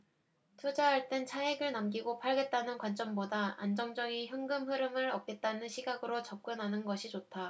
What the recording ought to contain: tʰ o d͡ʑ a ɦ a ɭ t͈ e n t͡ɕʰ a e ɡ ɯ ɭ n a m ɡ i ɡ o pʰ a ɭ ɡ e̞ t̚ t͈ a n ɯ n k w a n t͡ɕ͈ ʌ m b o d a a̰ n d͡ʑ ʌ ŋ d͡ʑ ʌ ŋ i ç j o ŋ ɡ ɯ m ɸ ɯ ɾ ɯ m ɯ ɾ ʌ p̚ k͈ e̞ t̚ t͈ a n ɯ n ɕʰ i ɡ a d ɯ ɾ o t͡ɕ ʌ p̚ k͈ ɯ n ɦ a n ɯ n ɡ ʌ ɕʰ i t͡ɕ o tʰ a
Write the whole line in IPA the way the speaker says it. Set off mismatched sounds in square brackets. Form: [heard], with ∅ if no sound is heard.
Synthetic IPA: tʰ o d͡ʑ a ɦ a ɭ t͈ e n t͡ɕʰ a e ɡ ɯ ɭ n a m ɡ i ɡ o pʰ a ɭ ɡ e̞ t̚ t͈ a n ɯ n k w a n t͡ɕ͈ ʌ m b o d a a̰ n d͡ʑ ʌ ŋ d͡ʑ ʌ ŋ i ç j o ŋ ɡ ɯ m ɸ ɯ ɾ ɯ m ɯ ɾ ʌ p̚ k͈ e̞ t̚ t͈ a n ɯ n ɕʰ i ɡ a [ɡ] ɯ ɾ o t͡ɕ ʌ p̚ k͈ ɯ n ɦ a n ɯ n ɡ ʌ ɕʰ i t͡ɕ o tʰ a